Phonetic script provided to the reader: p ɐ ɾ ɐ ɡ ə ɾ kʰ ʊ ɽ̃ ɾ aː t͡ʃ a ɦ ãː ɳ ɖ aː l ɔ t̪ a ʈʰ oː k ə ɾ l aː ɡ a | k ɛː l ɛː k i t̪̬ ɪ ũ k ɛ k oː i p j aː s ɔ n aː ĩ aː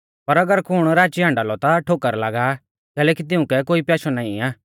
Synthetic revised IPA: p ɐ ɾ ɐ ɡ ə ɾ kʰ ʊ ɽ̃ ɾ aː t͡ʃ i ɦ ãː ɳ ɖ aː l ɔ t̪ a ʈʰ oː k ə ɾ l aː ɡ a | k ɛː l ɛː k i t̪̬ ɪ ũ k ɛ k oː i p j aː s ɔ n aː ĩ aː